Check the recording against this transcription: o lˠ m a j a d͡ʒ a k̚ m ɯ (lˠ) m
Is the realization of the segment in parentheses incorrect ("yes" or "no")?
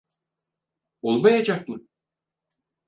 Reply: yes